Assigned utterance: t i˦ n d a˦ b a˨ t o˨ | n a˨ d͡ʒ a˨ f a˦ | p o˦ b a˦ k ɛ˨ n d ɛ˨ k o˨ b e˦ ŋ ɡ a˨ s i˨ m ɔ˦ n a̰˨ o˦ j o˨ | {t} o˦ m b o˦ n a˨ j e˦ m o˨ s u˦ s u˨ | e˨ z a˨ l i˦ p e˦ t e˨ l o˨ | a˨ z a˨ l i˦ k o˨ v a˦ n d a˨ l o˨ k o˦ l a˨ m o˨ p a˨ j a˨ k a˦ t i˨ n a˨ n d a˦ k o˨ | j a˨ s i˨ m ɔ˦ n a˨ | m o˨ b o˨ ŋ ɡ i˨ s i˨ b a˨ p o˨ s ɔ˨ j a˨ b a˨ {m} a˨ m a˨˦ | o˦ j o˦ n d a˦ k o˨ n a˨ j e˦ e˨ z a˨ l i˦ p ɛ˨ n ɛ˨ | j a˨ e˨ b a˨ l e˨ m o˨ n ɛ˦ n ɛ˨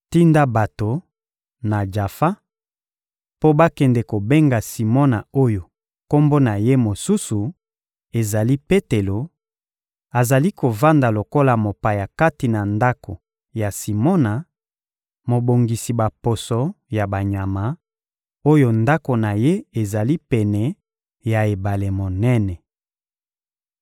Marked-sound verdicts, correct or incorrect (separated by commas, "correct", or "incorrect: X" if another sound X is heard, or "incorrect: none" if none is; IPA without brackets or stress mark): incorrect: k, incorrect: ɲ